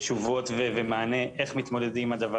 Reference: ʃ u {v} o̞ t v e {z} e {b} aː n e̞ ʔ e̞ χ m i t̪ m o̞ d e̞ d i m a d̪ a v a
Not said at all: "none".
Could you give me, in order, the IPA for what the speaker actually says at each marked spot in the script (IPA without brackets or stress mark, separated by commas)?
v, v, m